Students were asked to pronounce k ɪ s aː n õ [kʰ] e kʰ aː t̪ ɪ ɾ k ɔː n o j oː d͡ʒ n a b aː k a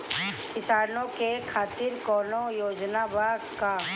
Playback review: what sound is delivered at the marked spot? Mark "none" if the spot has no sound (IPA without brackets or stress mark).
k